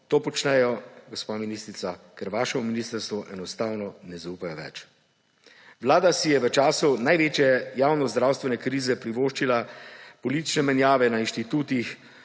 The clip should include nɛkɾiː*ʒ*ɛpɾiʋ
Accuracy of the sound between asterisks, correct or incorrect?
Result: incorrect